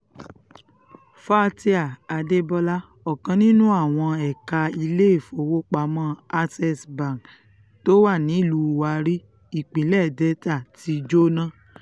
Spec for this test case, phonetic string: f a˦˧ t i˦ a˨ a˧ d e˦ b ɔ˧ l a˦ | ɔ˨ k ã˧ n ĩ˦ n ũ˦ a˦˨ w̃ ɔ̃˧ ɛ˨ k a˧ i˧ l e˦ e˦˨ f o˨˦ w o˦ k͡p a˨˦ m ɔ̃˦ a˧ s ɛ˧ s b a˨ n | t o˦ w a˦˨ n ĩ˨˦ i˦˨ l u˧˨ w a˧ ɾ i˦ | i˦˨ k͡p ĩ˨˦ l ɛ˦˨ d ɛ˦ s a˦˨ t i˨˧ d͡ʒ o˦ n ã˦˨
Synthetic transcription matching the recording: f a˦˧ t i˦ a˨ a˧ d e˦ b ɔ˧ l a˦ | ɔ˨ k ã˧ n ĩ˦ n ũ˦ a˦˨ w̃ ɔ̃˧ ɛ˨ k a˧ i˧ l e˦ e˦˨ f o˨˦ w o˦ k͡p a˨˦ m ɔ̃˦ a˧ s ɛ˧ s b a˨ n | t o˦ w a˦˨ n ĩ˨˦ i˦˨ l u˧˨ w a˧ ɾ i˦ | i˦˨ k͡p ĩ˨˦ l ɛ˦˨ d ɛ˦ t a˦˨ t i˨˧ d͡ʒ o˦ n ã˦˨